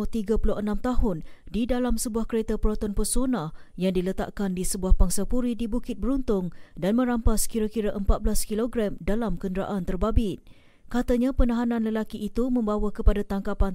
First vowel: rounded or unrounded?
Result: unrounded